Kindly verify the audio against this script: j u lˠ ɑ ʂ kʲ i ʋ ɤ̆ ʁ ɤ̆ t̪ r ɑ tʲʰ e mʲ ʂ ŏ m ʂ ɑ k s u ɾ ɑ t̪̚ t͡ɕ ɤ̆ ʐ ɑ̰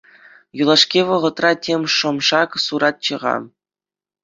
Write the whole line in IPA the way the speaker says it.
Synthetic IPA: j u lˠ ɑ ʂ kʲ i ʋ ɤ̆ ʁ ɤ̆ t̪ r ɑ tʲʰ e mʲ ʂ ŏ m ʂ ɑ k s u ɾ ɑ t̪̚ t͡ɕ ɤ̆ ʁ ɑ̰